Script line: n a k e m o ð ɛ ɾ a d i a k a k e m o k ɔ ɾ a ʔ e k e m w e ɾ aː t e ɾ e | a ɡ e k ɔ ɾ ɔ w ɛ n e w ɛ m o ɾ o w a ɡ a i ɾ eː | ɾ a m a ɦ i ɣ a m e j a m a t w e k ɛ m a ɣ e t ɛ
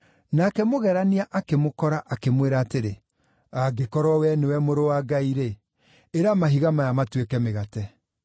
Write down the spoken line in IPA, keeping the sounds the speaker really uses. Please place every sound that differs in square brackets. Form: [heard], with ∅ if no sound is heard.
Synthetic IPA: n a k [ɛ] m o [ɣ] ɛ ɾ a [n] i a [ʔ] a k e m o k ɔ ɾ a ʔ [a] k e m w e ɾ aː t e ɾ e | a ɡ e k ɔ ɾ ɔ w ɛ n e w ɛ m o ɾ o w a ɡ a i ɾ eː | ɾ a m a ɦ i ɣ a m [a] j a m a t w e k ɛ m [e] ɣ [a] t ɛ